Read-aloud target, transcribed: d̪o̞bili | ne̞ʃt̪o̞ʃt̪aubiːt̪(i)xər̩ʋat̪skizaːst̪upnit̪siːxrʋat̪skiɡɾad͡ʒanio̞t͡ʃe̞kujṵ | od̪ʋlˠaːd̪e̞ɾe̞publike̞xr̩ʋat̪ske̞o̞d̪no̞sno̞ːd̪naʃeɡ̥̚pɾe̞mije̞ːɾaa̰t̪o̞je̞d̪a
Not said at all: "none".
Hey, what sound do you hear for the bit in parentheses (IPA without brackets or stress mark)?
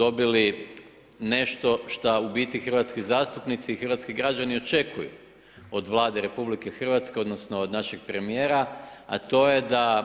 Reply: i